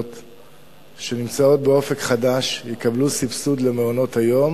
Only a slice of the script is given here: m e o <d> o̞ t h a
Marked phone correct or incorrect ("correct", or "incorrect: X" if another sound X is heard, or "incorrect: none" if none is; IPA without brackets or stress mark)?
incorrect: n